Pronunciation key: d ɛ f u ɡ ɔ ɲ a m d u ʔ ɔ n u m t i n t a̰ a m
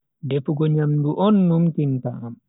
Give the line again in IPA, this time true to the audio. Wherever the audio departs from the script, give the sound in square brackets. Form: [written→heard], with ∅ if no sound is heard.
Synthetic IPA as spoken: d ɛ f u ɡ ɔ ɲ a m d u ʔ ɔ [n→nː] u m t i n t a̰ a m